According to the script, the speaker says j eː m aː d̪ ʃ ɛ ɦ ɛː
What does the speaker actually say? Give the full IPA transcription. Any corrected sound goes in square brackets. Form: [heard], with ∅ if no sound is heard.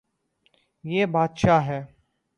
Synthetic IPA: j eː [b] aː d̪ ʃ [a] ɦ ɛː